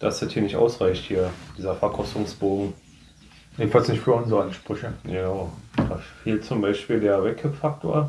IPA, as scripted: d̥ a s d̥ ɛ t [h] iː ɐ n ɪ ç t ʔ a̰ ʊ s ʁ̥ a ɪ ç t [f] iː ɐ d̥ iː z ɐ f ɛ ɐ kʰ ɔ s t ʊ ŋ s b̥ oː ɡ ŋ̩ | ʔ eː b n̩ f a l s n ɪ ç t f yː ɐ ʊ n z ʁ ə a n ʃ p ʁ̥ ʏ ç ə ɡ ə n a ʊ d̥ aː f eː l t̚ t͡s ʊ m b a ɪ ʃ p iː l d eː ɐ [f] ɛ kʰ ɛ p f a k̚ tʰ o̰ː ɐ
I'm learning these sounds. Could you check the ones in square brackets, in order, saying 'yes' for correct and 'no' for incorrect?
yes, no, no

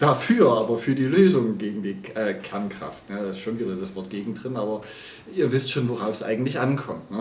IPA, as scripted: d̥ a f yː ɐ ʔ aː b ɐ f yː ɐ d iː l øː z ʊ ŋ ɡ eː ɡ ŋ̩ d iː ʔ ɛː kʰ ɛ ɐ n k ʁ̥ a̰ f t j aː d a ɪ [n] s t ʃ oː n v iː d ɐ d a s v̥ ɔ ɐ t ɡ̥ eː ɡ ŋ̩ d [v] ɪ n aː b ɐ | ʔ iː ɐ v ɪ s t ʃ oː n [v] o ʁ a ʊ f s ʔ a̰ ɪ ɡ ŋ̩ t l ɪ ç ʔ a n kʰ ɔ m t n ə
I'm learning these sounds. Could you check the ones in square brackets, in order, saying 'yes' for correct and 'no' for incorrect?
no, no, yes

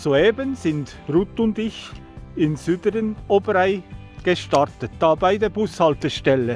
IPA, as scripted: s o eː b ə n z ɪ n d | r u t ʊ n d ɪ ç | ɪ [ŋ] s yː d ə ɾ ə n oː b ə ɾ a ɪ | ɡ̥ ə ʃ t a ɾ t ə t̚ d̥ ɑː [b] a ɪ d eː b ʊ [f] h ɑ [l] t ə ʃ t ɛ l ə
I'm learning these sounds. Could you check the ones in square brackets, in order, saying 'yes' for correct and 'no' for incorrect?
no, yes, no, yes

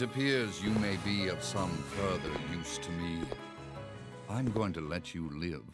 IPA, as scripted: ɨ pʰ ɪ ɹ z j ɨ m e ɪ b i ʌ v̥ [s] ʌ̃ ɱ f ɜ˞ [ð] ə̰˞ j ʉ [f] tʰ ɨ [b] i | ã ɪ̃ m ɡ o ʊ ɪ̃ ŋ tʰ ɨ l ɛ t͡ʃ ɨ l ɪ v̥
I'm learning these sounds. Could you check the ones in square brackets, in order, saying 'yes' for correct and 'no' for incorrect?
yes, yes, no, no

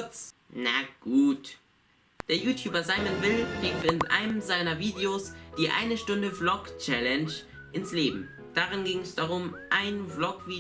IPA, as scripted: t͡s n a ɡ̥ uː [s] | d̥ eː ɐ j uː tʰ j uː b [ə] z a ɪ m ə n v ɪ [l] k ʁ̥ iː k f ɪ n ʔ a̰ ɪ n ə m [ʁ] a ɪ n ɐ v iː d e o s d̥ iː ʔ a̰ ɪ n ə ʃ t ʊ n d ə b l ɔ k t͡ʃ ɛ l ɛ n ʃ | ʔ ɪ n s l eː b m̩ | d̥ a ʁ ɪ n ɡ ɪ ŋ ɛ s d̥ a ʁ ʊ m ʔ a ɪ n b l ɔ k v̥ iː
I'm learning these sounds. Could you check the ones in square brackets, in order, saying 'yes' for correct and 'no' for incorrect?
no, no, yes, no

